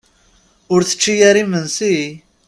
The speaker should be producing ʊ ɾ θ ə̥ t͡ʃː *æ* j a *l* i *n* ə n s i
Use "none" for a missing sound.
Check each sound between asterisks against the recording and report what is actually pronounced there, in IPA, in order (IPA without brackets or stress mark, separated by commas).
i, ɾ, m